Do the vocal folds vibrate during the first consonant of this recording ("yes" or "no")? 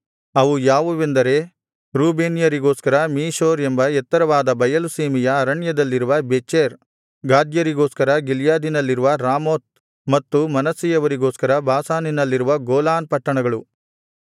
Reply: yes